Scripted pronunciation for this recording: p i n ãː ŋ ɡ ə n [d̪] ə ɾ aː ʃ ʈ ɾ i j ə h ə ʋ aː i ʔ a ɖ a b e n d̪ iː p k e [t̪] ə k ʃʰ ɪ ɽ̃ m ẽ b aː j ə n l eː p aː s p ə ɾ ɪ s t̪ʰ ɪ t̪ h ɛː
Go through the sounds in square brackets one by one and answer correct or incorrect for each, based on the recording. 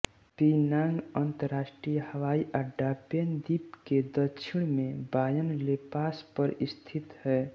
incorrect: t̪, incorrect: d̪

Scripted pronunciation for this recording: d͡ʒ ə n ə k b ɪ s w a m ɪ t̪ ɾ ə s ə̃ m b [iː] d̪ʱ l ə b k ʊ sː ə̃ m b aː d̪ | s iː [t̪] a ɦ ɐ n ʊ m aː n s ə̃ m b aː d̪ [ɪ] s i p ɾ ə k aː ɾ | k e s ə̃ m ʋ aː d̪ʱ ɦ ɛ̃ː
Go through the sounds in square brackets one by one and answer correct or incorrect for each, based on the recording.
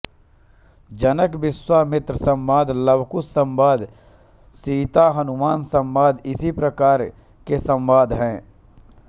incorrect: aː, correct, correct

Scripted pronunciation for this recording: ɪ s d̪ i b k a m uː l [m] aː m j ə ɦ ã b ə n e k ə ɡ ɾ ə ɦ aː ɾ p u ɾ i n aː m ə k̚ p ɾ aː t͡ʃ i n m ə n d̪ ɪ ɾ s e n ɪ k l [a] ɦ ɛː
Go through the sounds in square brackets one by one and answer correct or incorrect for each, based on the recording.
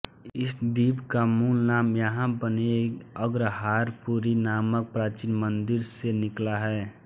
incorrect: n, correct

